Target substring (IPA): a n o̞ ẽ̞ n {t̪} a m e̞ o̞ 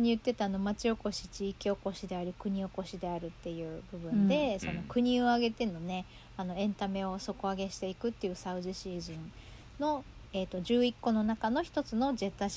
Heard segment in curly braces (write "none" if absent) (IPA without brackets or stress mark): t̪